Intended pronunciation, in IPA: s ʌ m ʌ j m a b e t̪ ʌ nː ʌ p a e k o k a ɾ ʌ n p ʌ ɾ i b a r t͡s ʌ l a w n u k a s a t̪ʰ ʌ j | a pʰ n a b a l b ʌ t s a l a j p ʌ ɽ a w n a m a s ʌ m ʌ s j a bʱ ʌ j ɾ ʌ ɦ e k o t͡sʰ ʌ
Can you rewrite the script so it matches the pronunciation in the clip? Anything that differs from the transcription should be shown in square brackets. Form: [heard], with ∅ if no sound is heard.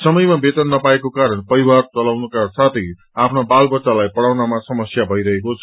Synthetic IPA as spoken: s ʌ m ʌ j m a b e t̪ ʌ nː ʌ p a e k o k a ɾ ʌ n p ʌ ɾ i [w] a r t͡s ʌ l a w n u k a s a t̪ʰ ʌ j | a pʰ n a b a l b ʌ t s a l a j p ʌ ɽ a w n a m a s ʌ m ʌ s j a bʱ ʌ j ɾ ʌ ɦ e k o t͡sʰ ʌ